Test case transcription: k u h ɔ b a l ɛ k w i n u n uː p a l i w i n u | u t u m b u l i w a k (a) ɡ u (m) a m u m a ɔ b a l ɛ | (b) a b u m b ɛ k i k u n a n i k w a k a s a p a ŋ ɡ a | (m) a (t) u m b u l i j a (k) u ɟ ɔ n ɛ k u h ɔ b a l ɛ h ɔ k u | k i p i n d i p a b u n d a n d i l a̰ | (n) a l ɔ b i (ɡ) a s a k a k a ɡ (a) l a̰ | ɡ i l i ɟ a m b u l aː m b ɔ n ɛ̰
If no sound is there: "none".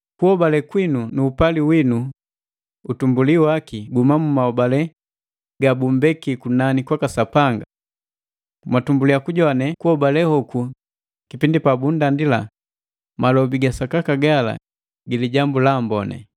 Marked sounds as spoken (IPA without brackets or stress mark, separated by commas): i, m, ɡ, m, t, k, m, ɡ, a